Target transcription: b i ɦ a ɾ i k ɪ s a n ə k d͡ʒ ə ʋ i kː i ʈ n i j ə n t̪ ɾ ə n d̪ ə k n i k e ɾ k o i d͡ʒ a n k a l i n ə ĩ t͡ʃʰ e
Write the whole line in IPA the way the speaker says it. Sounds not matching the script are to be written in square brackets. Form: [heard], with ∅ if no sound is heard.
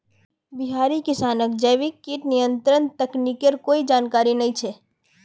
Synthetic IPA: b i ɦ a ɾ i k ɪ s a n ə k d͡ʒ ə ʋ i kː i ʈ n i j ə n t̪ ɾ ə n [t̪] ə k n i k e ɾ k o i d͡ʒ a n k a [ɾ] i n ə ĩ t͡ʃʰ e